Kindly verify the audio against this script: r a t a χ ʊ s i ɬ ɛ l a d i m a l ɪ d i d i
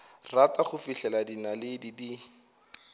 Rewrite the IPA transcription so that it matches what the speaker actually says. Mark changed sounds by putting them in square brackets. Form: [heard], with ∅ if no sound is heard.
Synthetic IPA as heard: r a t a χ ʊ [f] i ɬ ɛ l a d i [n] a l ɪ d i d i